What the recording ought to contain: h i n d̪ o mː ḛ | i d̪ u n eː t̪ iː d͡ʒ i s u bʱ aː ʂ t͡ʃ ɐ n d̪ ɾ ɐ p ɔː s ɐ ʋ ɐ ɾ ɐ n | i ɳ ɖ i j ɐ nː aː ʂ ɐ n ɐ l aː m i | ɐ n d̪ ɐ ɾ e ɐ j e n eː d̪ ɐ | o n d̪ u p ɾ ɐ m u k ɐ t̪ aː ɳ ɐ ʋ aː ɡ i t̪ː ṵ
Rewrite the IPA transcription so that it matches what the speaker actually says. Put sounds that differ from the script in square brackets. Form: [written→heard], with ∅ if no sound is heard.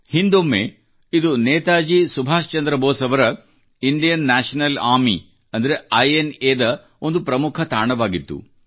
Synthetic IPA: h i n d̪ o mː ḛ | i d̪ u n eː t̪ [iː→aː] d͡ʒ i s u bʱ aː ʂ t͡ʃ ɐ n d̪ ɾ ɐ [p→b] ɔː s ɐ ʋ ɐ ɾ ɐ [n→∅] | i ɳ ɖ i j ɐ nː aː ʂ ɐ n ɐ l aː m i | ɐ n d̪ ɐ ɾ e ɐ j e n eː d̪ ɐ | o n d̪ u p ɾ ɐ m u [k→kʰ] ɐ t̪ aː ɳ ɐ ʋ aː ɡ i t̪ː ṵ

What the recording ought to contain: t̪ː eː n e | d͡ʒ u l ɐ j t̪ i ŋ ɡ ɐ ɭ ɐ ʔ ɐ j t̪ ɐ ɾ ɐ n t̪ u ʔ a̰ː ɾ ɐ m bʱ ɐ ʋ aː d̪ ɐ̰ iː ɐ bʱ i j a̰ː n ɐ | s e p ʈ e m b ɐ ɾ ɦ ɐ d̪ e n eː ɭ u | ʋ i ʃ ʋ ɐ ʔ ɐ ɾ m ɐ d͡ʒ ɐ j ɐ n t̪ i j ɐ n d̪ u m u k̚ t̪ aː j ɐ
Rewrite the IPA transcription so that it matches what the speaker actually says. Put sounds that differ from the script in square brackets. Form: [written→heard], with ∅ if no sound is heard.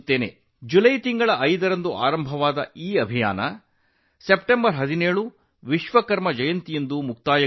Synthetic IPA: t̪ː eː n e | d͡ʒ u l ɐ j t̪ i ŋ ɡ ɐ ɭ ɐ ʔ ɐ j [t̪→d̪] ɐ ɾ ɐ n [t̪→d̪] u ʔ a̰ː ɾ ɐ m bʱ ɐ ʋ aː d̪ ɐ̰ iː ɐ bʱ i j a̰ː n ɐ | s e p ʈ e m b ɐ ɾ ɦ ɐ d̪ [e→i] n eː ɭ u | ʋ i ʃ ʋ ɐ [ʔ→k] ɐ ɾ m ɐ d͡ʒ ɐ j ɐ n t̪ i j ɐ n d̪ u m u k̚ t̪ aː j ɐ

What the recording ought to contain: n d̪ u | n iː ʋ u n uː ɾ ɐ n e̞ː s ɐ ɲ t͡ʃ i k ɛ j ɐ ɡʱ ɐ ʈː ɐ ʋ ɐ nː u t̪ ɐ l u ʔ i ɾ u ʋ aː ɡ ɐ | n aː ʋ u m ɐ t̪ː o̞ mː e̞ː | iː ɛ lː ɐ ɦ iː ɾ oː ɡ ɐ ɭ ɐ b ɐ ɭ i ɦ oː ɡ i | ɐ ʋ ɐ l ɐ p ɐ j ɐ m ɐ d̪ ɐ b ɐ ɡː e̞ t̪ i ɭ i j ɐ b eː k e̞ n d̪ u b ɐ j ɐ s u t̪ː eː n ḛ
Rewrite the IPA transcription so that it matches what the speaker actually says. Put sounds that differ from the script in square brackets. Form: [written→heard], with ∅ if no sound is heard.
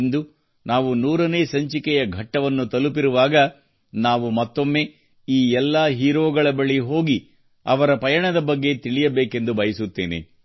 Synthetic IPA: n d̪ u | n [iː→aː] ʋ u n uː ɾ ɐ n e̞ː s ɐ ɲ t͡ʃ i k ɛ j ɐ ɡʱ ɐ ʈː ɐ ʋ ɐ nː u t̪ ɐ l u [ʔ→p] i ɾ u ʋ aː ɡ ɐ | n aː ʋ u m ɐ t̪ː o̞ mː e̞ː | iː ɛ lː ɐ ɦ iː ɾ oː ɡ ɐ ɭ ɐ b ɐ ɭ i ɦ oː ɡ i | ɐ ʋ ɐ [l→ɾ] ɐ p ɐ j ɐ [m→ɳ] ɐ d̪ ɐ b ɐ ɡː e̞ t̪ i ɭ i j ɐ b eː k e̞ n d̪ u b ɐ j ɐ s u t̪ː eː n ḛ

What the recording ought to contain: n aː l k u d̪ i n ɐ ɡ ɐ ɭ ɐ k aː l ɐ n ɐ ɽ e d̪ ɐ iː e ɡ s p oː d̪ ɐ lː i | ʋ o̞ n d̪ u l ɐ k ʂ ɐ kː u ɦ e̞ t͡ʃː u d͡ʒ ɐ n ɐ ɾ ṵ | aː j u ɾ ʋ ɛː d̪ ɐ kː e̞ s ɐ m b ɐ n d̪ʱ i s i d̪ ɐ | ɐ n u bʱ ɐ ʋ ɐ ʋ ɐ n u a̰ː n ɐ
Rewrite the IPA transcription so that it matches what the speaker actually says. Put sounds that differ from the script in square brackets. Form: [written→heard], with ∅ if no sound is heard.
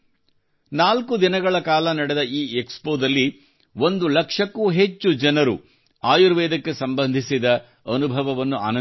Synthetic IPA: n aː l k u d̪ i n ɐ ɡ ɐ ɭ ɐ k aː l ɐ n ɐ ɽ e d̪ ɐ iː e [ɡ→k] s p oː d̪ ɐ lː i | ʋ o̞ n d̪ u l ɐ k ʂ ɐ kː u ɦ e̞ t͡ʃː u d͡ʒ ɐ n ɐ ɾ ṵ | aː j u ɾ ʋ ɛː d̪ ɐ kː e̞ s ɐ m b ɐ n d̪ʱ i s i d̪ ɐ | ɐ n u bʱ ɐ ʋ ɐ ʋ ɐ [n→nː] u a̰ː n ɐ

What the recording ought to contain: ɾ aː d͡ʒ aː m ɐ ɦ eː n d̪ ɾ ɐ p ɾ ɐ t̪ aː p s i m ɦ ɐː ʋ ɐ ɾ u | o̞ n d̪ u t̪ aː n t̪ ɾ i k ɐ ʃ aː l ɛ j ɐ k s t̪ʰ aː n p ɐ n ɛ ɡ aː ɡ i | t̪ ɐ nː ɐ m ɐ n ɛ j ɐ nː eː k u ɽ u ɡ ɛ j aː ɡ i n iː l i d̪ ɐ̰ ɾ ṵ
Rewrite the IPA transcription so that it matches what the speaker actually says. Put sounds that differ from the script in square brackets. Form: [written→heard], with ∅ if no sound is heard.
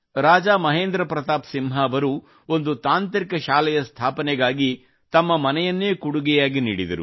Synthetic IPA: ɾ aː d͡ʒ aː m ɐ ɦ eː n d̪ ɾ ɐ p ɾ ɐ t̪ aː p s i m ɦ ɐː ʋ ɐ ɾ u | o̞ n d̪ u t̪ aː n t̪ ɾ i k ɐ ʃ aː l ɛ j ɐ [k→∅] s t̪ʰ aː [n→∅] p ɐ n ɛ ɡ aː ɡ i | t̪ ɐ [nː→mː] ɐ m ɐ n ɛ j ɐ nː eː k u ɽ u ɡ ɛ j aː ɡ i n iː [l→ɽ] i d̪ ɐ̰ ɾ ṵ

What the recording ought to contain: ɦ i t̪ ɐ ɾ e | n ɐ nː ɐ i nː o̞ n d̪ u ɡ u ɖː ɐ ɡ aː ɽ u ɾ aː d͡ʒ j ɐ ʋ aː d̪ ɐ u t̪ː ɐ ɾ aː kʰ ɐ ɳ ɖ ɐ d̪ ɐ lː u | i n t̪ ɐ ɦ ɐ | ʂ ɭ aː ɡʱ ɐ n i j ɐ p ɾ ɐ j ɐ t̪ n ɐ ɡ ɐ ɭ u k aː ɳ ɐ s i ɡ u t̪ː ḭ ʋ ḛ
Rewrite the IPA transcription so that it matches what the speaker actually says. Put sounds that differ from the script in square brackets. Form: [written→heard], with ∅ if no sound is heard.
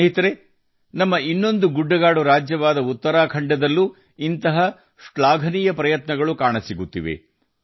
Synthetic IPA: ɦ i t̪ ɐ ɾ e | n ɐ [nː→mː] ɐ i nː o̞ n d̪ u ɡ u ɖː ɐ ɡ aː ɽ u ɾ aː d͡ʒ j ɐ ʋ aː d̪ ɐ u t̪ː ɐ ɾ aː kʰ ɐ ɳ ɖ ɐ d̪ ɐ lː u | i n t̪ ɐ ɦ ɐ | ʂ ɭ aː ɡʱ ɐ n i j ɐ p ɾ ɐ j ɐ t̪ n ɐ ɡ ɐ ɭ u k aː ɳ ɐ s i ɡ u t̪ː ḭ ʋ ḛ

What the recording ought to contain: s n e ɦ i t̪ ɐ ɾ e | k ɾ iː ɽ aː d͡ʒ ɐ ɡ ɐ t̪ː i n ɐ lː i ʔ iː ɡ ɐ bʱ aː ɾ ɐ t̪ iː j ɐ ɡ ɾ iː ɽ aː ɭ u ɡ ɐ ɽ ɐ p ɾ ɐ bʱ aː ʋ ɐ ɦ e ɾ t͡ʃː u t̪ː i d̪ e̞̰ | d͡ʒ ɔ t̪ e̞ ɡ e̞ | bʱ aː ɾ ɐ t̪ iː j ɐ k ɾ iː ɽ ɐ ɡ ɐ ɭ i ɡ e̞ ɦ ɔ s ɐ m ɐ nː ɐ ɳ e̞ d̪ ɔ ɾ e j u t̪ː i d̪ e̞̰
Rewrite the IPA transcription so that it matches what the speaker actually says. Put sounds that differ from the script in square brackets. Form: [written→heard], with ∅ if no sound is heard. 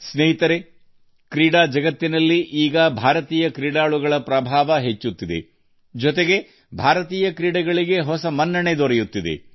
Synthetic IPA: s n e ɦ i t̪ ɐ ɾ e | k ɾ iː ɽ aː d͡ʒ ɐ ɡ ɐ t̪ː i n ɐ lː i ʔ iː ɡ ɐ bʱ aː ɾ ɐ t̪ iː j ɐ [ɡ→k] ɾ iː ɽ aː ɭ u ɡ ɐ [ɽ→ɭ] ɐ p ɾ ɐ bʱ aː ʋ ɐ ɦ e [ɾ→∅] t͡ʃː u t̪ː i d̪ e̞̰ | d͡ʒ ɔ t̪ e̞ ɡ e̞ | bʱ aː ɾ ɐ t̪ iː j ɐ k ɾ iː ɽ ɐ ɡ ɐ ɭ i ɡ e̞ ɦ ɔ s ɐ m ɐ nː ɐ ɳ e̞ d̪ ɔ ɾ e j u t̪ː i d̪ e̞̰

